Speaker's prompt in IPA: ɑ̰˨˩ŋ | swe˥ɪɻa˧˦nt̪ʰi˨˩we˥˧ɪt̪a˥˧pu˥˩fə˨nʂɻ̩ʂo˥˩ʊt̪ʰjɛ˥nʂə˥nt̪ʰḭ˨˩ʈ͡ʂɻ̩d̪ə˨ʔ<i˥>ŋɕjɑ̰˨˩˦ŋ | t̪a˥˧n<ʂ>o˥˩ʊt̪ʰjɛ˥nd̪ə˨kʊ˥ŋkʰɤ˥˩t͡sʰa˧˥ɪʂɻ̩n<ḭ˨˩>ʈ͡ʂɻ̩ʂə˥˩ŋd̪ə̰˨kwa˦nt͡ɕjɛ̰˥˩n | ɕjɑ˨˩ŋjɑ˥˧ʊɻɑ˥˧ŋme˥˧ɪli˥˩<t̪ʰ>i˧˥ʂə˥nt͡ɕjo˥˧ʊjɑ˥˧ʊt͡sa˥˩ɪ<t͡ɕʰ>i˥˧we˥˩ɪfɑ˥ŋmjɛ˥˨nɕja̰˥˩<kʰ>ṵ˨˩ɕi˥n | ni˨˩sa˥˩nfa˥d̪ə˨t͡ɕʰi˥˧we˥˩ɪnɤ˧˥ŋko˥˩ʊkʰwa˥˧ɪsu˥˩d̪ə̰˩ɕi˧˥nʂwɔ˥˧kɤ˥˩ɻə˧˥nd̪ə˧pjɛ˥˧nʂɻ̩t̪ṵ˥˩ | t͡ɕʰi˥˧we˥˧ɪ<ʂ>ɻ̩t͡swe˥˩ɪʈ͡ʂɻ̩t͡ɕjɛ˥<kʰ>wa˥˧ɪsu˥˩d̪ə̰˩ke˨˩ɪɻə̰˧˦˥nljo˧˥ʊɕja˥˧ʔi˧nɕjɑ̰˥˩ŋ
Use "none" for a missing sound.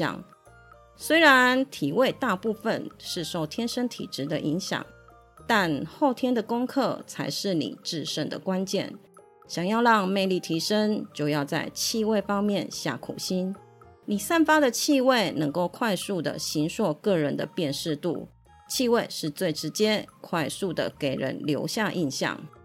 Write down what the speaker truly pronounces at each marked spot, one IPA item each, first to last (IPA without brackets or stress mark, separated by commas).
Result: i˧˥, x, ḭ˨˩, t̪ʰ, t͡ɕʰ, kʰ, ʂ, kʰ